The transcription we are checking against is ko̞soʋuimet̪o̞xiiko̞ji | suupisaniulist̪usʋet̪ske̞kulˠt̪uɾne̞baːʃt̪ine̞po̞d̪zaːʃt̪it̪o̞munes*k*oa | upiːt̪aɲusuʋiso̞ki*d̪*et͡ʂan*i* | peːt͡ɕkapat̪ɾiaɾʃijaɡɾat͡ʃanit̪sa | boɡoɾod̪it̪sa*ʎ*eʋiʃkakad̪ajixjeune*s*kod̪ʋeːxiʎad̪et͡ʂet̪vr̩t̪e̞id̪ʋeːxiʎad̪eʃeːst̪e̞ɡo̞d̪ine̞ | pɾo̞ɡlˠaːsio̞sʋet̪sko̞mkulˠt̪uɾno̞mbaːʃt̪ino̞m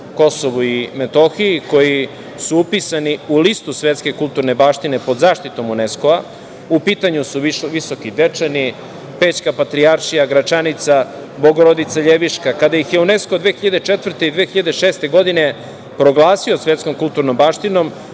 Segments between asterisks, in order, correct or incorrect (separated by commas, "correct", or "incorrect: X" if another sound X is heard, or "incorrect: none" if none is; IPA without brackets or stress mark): correct, correct, correct, correct, correct